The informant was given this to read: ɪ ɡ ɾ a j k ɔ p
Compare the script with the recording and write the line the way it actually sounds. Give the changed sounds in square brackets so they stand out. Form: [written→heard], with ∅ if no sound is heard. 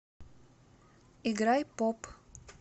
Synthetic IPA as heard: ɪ ɡ ɾ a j [k→p] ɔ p